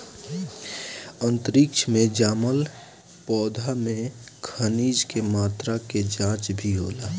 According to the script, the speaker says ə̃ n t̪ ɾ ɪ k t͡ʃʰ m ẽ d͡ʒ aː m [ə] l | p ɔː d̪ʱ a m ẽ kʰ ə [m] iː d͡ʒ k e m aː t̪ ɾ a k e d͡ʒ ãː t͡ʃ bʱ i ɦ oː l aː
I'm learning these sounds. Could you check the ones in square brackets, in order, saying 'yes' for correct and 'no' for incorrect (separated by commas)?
yes, no